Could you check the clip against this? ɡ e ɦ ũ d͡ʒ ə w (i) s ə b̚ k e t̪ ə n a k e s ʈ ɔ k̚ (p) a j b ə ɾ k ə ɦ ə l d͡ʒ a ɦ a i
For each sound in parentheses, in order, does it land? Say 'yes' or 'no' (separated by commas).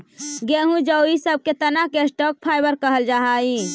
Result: yes, no